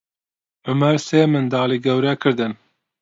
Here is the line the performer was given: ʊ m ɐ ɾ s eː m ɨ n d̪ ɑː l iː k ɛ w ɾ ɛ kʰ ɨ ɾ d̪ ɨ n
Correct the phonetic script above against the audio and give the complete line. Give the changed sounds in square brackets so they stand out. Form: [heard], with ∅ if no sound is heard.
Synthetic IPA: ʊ m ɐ ɾ s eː m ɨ n d̪ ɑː l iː [ɡ] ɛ w ɾ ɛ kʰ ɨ ɾ d̪ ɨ n